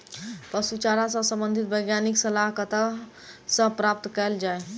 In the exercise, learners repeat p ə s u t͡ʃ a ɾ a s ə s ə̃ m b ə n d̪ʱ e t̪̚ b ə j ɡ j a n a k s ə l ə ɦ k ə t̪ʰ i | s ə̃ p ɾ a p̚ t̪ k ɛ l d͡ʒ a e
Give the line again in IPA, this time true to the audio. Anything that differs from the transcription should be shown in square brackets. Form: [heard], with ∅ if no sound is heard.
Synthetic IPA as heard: p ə s u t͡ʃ a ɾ a s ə s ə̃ m b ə n d̪ʱ [i] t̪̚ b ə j ɡ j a n [i] k s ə l [a] ɦ k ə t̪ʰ [a] | s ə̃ p ɾ a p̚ t̪ k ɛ l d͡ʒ a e